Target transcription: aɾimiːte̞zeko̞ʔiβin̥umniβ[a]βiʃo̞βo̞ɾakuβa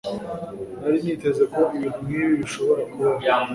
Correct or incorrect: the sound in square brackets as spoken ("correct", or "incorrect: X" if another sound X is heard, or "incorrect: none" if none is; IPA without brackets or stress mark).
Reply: incorrect: i